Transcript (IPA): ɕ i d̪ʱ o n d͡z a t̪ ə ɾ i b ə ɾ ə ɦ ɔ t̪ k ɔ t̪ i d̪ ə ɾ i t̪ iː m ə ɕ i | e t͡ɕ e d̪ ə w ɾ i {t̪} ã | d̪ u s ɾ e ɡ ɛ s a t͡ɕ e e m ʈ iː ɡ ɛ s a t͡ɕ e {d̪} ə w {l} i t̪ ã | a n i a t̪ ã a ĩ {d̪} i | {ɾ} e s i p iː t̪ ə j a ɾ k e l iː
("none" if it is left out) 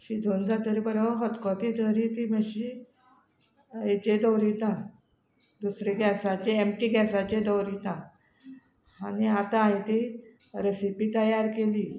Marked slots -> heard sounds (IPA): t̪, d̪, ɾ, t̪, ɾ

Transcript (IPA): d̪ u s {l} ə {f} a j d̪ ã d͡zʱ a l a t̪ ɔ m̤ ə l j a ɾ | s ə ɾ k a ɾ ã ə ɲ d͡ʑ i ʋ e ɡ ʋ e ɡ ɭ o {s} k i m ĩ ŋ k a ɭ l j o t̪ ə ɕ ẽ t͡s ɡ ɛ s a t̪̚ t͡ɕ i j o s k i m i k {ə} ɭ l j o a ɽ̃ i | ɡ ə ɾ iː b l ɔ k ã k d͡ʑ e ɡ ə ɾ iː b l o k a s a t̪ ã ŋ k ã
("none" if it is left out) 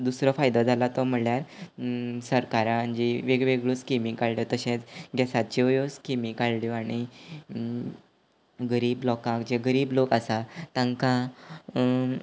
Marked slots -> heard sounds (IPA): ɾ, f, s, a

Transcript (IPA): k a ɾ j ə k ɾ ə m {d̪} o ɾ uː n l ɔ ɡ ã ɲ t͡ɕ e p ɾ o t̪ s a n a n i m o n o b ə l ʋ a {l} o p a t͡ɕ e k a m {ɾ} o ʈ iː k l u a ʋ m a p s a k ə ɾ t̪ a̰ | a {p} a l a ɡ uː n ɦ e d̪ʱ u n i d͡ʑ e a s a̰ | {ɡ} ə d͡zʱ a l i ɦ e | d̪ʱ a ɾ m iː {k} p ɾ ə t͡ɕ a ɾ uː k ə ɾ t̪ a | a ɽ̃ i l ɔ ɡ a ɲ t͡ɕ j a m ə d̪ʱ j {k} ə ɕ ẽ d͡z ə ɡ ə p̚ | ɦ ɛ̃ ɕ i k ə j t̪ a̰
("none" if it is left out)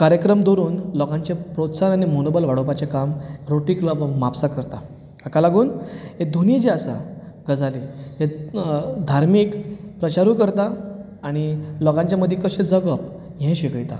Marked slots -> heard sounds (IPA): d̪, ɽ, ɾ, k, ɡ, k, k

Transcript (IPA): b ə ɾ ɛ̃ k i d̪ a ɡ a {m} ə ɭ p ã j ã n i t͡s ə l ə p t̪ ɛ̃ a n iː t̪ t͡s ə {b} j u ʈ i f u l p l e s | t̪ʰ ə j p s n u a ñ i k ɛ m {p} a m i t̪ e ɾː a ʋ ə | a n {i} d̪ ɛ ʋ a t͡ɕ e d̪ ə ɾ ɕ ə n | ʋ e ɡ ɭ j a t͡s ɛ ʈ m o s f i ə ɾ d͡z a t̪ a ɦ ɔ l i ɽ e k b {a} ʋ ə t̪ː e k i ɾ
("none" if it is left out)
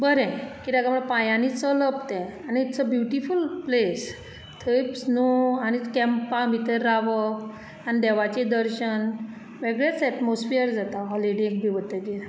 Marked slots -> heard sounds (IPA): m, b, p, i, i

